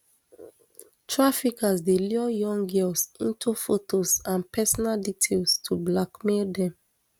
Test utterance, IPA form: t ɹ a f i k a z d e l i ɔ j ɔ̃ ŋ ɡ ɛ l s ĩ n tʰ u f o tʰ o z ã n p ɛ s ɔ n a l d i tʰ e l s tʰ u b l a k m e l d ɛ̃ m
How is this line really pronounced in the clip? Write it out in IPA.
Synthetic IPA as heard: t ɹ a f i k a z d e l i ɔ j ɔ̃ ŋ ɡ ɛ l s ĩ n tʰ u f o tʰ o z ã n p ɛ s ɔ n a l d i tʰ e l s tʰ u b l a k m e l d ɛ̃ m